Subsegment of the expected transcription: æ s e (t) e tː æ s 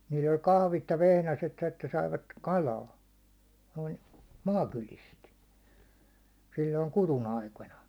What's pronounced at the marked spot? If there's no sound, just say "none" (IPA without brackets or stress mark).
t